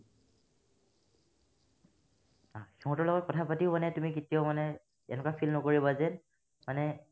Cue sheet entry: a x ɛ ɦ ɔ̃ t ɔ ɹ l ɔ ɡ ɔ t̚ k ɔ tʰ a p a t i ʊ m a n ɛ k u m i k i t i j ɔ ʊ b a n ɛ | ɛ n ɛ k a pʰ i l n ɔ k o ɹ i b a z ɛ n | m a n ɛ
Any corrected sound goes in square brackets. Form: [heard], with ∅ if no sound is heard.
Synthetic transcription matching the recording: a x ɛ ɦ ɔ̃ t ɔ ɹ l ɔ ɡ ɔ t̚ k ɔ tʰ a p a t i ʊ m a n ɛ [t] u m i k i t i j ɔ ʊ [m] a n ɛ | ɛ n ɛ k a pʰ i l n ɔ k o ɹ i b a z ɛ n | m a n ɛ